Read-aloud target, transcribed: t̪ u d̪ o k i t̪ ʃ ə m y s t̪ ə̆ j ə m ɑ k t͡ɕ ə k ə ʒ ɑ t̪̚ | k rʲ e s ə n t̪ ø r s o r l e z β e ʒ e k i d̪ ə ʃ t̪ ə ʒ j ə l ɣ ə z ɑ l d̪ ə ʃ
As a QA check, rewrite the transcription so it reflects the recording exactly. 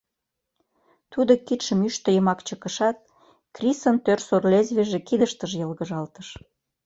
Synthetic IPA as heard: t̪ u d̪ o k i t̪ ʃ ə m y ʃ t̪ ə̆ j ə m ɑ k t͡ɕ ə k ə ʃ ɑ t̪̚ | k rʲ i s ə n t̪ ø r s o r l e z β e ʒ e k i d̪ ə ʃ t̪ ə ʒ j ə l ɣ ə ʒ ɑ l t̪ ə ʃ